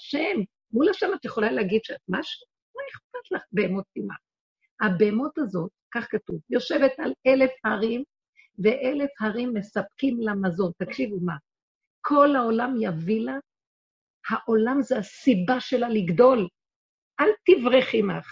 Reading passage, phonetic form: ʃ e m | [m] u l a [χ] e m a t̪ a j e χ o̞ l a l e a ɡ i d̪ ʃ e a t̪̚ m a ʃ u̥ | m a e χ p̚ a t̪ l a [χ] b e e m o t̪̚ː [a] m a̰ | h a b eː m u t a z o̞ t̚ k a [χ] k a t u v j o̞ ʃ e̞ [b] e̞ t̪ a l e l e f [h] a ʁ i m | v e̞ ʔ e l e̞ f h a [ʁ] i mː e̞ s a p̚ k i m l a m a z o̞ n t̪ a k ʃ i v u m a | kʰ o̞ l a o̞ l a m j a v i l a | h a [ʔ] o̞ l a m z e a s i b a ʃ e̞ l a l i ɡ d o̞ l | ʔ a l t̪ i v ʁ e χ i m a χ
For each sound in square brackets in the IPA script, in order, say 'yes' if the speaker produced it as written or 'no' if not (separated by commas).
yes, no, yes, no, yes, no, yes, yes, yes